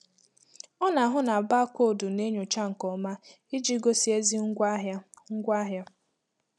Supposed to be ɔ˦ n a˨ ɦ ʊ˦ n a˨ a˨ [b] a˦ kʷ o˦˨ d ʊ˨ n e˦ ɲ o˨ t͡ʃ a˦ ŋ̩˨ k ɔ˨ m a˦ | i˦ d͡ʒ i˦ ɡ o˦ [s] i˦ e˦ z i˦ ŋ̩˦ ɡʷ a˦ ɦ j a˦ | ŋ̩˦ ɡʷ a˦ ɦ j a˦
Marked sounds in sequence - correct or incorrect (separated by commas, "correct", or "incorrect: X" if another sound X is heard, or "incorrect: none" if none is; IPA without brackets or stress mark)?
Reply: correct, correct